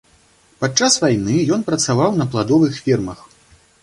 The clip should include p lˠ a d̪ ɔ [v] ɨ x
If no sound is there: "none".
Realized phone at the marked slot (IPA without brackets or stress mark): v